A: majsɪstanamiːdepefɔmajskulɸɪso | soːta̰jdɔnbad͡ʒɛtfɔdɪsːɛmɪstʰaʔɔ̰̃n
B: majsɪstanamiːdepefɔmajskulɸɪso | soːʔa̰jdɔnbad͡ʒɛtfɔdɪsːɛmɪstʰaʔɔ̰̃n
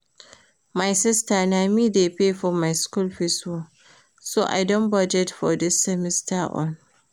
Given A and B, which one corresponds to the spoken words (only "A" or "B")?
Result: B